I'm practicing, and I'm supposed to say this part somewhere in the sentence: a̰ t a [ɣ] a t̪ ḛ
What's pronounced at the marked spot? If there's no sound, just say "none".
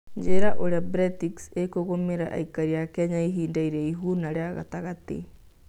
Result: ɣ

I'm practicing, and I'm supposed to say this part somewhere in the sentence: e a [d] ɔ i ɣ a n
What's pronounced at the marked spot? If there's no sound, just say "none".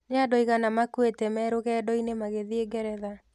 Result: d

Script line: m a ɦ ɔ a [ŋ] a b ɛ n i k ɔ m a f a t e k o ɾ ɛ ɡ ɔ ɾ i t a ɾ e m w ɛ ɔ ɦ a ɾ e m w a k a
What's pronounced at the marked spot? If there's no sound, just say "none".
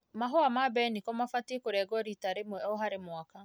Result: m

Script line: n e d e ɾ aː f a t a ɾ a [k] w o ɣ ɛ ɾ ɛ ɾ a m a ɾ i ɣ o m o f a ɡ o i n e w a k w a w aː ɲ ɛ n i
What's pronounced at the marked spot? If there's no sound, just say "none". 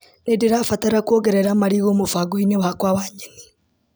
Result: k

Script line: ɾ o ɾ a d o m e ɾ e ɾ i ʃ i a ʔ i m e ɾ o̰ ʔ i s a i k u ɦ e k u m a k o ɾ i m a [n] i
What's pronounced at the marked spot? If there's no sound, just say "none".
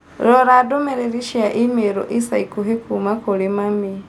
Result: m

